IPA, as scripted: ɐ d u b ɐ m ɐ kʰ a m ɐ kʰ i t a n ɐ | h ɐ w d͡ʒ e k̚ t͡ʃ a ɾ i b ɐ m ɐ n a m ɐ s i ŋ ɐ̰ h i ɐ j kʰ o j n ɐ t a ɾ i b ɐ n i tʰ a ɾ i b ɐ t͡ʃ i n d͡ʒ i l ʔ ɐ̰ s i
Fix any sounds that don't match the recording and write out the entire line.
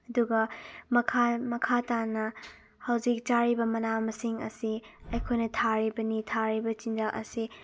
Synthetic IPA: ɐ d u ɡ ɐ m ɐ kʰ a m ɐ kʰ a t a n ɐ | h ɐ w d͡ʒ i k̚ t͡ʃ a ɾ i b ɐ m ɐ n a m ɐ s i ŋ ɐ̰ s i ɐ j kʰ o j n ɐ tʰ a ɾ i b ɐ n i tʰ a ɾ i b ɐ t͡ʃ i n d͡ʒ a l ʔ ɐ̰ s i